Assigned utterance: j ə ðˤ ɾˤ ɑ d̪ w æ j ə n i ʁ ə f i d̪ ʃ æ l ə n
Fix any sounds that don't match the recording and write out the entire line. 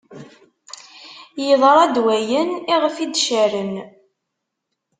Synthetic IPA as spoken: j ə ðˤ ɾˤ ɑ d̪ w æ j ə n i ʁ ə f i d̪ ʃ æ ɾ ə n